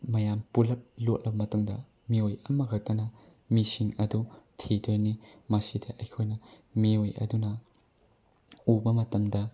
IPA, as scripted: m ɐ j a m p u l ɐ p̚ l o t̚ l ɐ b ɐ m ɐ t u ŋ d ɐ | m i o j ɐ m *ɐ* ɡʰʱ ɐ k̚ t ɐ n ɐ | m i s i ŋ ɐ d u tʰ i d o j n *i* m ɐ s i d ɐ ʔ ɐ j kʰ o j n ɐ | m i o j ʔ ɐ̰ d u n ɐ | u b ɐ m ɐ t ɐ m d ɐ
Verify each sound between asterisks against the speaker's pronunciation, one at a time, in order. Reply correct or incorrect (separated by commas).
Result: correct, correct